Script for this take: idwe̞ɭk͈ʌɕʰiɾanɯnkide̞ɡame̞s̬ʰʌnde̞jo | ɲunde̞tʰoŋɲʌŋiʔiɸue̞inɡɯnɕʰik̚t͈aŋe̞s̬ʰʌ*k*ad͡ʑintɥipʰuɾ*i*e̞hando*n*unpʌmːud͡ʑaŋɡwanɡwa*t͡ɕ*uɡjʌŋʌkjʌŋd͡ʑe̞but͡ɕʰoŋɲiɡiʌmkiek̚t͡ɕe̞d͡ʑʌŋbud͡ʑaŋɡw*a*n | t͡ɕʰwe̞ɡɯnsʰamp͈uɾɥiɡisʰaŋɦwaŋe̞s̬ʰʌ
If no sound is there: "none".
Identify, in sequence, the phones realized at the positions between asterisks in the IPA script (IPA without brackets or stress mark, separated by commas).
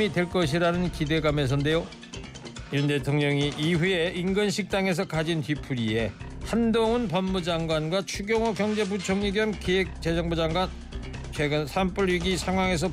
k, i, ŋ, t͡ɕʰ, a